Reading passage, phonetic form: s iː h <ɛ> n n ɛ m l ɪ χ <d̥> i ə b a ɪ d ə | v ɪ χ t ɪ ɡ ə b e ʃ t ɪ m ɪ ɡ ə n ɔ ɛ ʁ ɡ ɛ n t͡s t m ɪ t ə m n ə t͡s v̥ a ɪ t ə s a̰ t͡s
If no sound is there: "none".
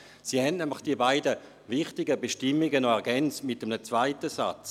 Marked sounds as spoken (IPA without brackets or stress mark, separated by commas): ɛ, d̥